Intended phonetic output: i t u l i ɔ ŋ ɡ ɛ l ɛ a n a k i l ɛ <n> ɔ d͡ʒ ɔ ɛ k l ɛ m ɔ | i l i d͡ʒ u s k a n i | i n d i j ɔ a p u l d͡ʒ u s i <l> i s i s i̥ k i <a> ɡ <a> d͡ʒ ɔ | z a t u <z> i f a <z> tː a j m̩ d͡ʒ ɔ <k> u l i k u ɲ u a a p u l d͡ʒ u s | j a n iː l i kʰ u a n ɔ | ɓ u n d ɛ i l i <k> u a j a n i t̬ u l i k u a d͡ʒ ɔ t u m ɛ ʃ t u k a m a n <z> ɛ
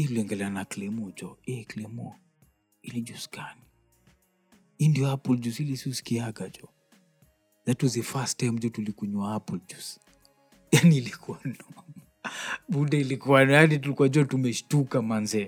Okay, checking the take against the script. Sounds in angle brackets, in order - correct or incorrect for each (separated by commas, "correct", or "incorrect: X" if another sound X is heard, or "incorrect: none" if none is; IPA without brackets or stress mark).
incorrect: m, correct, correct, correct, correct, incorrect: s, incorrect: t, correct, correct